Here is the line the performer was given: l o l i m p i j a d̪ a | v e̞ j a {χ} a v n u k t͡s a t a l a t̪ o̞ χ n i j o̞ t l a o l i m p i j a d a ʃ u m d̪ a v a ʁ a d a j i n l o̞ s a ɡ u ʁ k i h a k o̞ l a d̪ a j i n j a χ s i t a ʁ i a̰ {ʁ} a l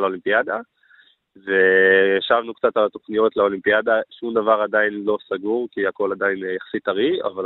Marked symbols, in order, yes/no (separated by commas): no, no